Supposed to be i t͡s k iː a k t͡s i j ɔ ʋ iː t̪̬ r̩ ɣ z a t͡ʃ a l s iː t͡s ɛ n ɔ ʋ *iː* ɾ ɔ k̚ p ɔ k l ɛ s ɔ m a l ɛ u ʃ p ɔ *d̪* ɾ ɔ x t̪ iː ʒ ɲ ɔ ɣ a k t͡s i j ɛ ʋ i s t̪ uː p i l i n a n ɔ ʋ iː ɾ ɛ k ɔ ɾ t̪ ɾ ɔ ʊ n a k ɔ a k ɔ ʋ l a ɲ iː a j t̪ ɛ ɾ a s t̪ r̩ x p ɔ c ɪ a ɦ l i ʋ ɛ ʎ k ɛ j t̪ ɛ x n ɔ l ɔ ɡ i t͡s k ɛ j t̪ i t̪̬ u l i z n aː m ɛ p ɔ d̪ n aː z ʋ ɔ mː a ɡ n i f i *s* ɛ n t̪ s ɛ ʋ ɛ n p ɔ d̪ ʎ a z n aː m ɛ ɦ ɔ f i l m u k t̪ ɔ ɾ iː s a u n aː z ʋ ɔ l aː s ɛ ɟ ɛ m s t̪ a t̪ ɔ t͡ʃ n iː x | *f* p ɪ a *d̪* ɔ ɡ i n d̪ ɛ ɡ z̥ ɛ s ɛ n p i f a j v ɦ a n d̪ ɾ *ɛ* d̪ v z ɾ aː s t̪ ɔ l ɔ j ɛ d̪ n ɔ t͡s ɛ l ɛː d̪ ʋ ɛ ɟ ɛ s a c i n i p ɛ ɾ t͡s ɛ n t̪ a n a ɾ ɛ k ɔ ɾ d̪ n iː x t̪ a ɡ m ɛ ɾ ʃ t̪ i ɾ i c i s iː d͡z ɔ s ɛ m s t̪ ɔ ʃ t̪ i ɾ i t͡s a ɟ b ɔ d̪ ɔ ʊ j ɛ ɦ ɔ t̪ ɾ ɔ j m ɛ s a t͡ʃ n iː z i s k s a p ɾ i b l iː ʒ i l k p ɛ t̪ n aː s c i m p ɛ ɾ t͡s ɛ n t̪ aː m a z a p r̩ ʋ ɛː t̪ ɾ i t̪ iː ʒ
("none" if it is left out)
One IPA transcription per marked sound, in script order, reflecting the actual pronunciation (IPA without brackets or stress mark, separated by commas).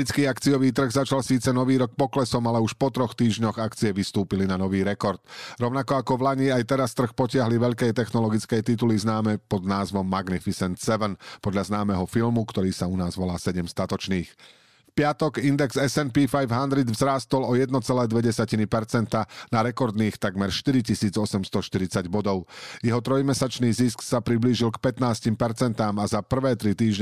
iː, t̪, s, f, t̪, i